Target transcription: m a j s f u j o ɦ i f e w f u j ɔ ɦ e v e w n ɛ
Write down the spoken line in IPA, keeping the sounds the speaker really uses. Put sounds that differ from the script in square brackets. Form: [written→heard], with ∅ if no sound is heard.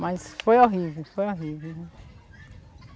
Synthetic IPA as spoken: m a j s f [u→o] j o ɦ i [f→v] e w f [u→o] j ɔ ɦ [e→i] v e w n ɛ